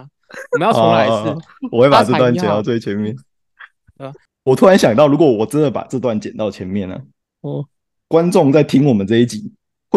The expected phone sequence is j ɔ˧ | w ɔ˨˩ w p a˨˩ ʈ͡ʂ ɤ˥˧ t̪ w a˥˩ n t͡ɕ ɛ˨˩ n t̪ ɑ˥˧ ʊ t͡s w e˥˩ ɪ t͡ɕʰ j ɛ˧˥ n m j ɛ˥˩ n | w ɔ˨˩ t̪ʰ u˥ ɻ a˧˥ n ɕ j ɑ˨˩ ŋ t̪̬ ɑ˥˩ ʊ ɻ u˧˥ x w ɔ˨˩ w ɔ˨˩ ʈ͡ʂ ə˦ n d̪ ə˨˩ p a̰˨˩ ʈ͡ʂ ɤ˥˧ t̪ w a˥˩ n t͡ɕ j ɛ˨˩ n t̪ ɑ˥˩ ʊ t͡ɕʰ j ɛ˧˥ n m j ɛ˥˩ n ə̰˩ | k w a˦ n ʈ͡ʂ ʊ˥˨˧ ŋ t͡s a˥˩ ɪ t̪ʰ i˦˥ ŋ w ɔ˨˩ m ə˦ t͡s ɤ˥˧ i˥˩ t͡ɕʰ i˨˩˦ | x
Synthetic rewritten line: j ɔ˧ | w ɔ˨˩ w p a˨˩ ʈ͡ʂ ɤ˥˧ t̪ w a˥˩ n t͡ɕ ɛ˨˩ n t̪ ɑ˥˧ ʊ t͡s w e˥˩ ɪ t͡ɕʰ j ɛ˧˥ n m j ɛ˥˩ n | w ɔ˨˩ t̪ʰ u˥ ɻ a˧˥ n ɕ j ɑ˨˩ ŋ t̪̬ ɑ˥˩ ʊ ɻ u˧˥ k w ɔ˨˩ w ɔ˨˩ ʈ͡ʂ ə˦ n d̪ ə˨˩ p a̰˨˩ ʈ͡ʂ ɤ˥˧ t̪ w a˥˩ n t͡ɕ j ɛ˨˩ n t̪ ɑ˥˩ ʊ t͡ɕʰ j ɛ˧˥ n m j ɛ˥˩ n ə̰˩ | k w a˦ n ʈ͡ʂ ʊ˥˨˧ ŋ t͡s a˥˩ ɪ t̪ʰ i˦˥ ŋ w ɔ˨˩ m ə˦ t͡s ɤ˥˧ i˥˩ t͡ɕ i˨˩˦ | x